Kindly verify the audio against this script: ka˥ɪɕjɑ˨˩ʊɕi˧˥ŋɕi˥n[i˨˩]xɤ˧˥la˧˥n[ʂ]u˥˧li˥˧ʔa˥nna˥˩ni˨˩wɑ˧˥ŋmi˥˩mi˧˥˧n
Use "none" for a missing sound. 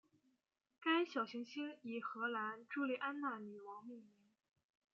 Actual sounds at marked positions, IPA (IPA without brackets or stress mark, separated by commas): i˨˩, ʈ͡ʂ